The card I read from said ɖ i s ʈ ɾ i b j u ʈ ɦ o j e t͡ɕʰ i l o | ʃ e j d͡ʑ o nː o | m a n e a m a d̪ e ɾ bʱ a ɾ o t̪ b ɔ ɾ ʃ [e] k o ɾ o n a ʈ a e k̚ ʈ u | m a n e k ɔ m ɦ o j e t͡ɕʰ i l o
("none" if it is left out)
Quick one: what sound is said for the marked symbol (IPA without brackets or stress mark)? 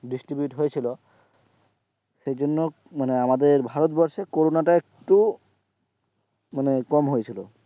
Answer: e